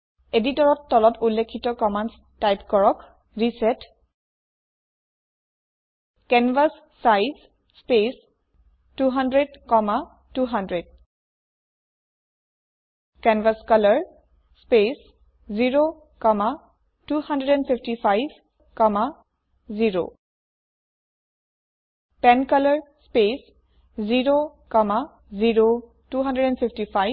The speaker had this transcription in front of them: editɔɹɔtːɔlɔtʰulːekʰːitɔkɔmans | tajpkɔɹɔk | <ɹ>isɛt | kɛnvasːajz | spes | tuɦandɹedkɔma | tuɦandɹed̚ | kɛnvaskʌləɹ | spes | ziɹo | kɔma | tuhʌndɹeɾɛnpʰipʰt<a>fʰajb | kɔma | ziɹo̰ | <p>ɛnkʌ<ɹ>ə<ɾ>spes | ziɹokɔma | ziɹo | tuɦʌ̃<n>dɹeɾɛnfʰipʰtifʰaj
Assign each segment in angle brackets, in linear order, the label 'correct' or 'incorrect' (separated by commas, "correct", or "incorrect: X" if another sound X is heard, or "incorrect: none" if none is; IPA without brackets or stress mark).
correct, incorrect: i, correct, incorrect: l, incorrect: ɹ, correct